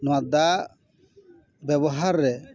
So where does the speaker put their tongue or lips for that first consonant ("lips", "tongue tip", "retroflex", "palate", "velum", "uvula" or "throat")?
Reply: tongue tip